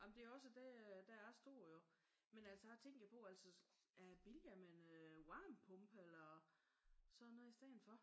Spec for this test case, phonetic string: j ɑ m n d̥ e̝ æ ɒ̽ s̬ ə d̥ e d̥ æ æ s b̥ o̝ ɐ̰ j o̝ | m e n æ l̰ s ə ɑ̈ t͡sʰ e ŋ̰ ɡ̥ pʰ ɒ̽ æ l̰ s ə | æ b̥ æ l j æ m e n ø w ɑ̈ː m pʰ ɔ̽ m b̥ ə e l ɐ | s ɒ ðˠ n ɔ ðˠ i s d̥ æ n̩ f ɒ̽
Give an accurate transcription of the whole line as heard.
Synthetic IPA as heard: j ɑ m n d̥ e̝ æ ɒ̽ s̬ ə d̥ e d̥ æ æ s d̥ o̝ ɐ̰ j o̝ | m e n æ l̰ s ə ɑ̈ t͡sʰ e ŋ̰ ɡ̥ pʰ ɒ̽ æ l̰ s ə | æ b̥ i l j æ m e n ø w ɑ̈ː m pʰ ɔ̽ m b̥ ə e l ɐ | s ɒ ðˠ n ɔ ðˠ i s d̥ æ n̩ f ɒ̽